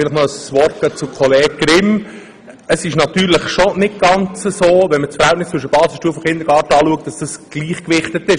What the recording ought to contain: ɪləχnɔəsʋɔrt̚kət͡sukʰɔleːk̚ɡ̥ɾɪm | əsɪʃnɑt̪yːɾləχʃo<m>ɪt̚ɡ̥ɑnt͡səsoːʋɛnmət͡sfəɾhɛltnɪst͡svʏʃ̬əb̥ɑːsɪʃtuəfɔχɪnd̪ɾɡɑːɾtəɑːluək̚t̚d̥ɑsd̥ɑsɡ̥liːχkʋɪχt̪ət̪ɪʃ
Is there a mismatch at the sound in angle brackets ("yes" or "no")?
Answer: yes